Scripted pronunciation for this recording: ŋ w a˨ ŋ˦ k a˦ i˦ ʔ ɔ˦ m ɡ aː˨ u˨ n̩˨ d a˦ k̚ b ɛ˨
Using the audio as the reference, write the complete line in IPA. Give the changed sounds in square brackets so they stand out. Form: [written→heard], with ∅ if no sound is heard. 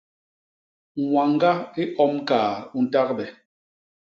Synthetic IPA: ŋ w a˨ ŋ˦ [k→ɡ] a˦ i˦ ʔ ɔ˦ m [ɡ→k] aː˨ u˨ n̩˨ [d→t] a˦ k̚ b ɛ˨